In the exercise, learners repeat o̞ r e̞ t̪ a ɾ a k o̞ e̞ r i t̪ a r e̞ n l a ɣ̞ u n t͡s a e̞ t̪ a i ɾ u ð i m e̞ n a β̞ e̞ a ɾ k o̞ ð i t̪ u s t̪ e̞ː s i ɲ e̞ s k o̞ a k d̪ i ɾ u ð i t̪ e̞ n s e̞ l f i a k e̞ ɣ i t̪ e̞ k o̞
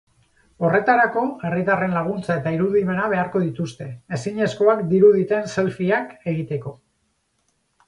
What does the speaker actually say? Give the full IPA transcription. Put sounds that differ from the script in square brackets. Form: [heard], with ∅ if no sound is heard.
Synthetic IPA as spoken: o̞ r e̞ t̪ a ɾ a k o̞ e̞ r i t̪ a r e̞ n l a ɣ̞ u n t͡s a e̞ t̪ a i ɾ u ð i m e̞ n a β̞ e̞ a ɾ k o̞ ð i t̪ u s t̪ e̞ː s i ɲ e̞ s k o̞ a k d̪ i ɾ u ð i t̪ e̞ n s e̞ l f i a k e̞ ɣ i t̪ e̞ k o̞